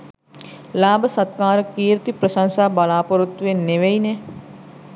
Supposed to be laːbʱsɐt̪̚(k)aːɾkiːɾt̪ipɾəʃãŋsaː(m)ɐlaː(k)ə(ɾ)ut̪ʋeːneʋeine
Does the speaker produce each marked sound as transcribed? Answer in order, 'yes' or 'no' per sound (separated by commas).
yes, no, no, yes